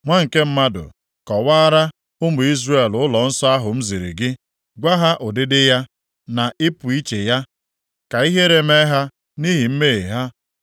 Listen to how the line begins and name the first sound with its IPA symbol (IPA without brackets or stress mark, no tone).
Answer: ŋʷ